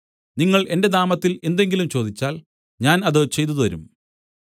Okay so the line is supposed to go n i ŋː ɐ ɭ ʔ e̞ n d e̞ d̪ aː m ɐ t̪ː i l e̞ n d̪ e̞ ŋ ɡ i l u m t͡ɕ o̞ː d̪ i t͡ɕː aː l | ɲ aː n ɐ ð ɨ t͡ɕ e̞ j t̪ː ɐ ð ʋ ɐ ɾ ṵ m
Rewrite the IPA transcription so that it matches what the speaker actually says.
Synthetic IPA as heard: n i ŋː ɐ ɭ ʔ e̞ n d e̞ d̪ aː m ɐ t̪ː i l e̞ n d̪ e̞ ŋ ɡ i l u m t͡ɕ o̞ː d̪ i t͡ɕː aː l | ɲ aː n ɐ ð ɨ t͡ɕ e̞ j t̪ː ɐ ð ʋ ɐ ɾ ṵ m